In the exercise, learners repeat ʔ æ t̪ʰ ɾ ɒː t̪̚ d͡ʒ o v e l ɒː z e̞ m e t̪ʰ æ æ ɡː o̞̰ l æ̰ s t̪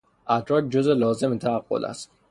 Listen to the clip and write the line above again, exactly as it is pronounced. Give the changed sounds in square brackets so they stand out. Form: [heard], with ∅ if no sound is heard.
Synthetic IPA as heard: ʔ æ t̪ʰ ɾ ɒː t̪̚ d͡ʒ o [z] e l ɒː z e̞ m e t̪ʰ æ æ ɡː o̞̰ l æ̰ s t̪